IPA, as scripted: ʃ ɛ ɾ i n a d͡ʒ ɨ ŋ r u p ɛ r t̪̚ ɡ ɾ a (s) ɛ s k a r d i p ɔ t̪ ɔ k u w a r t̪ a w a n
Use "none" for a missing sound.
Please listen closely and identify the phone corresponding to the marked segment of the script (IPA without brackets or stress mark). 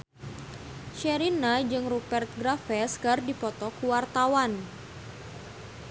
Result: f